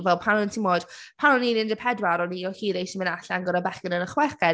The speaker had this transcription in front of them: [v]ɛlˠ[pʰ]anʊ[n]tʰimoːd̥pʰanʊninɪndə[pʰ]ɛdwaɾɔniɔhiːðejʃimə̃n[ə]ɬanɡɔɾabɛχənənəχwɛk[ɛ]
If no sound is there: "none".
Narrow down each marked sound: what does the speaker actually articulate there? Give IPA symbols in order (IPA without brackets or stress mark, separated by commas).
v, pʰ, n, pʰ, a, ɛ